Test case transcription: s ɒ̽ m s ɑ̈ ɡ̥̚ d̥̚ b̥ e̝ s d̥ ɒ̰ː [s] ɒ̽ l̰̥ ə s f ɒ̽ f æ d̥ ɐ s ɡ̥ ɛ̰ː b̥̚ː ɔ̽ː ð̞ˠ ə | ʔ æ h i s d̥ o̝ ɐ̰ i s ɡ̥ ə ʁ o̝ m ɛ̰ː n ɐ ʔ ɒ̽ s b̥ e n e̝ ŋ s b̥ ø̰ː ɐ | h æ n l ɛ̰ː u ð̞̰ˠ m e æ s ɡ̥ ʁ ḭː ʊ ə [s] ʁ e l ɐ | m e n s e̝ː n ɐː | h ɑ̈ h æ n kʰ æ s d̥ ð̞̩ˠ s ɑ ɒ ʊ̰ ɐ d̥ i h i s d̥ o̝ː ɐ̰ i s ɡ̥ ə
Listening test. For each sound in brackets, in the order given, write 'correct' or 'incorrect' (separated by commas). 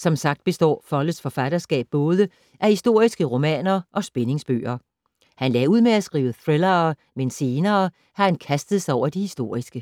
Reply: incorrect, incorrect